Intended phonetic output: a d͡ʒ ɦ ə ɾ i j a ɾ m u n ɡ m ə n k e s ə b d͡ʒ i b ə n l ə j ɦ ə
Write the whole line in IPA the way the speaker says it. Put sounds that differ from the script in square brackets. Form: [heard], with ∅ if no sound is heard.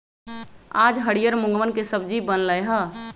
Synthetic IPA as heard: a d͡ʒ ɦ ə [ɽ] i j [ə] ɾ m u [ŋ] ɡ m ə n k e s ə b d͡ʒ i b ə n l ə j ɦ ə